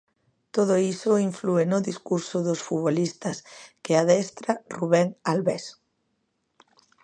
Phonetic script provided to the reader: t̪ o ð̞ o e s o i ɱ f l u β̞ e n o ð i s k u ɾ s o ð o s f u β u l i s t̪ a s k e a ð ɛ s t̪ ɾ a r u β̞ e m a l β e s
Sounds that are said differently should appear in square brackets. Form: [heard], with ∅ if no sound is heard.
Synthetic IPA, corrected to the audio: t̪ o ð̞ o [i] s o i ɱ f l u [∅] e n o ð i s k u ɾ s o ð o s f u β [o] l i s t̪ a s k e a ð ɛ s t̪ ɾ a r u β̞ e [ŋ] a l β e s